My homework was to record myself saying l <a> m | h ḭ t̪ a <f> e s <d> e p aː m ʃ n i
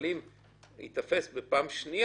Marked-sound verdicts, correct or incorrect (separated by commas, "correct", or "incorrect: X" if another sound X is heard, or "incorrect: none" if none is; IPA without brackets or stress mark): incorrect: i, correct, incorrect: b